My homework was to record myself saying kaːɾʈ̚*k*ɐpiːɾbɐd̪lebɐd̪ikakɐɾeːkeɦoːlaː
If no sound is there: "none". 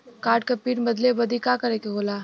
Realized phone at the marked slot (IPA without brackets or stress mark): k